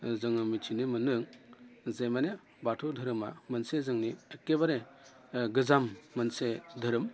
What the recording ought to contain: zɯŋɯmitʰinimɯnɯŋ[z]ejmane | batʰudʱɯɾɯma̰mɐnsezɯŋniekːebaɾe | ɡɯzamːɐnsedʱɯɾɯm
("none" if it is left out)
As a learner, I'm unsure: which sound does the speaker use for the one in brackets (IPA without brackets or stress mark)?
z